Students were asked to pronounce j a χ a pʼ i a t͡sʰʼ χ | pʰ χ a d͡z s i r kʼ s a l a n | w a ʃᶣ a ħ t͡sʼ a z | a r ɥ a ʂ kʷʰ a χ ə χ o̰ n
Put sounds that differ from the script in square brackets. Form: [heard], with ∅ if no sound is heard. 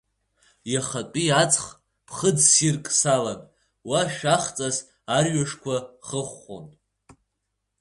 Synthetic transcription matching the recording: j a χ a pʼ i a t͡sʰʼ χ | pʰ χ [ə] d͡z s i r kʼ s a l a n | w a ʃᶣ a [χ] t͡sʼ a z | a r ɥ a ʂ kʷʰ a χ ə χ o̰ n